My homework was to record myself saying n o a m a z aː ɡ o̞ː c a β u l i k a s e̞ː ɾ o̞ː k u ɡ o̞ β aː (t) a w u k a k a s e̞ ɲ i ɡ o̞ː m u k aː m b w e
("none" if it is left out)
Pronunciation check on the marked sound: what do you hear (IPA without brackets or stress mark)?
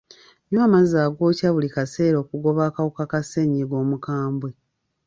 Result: k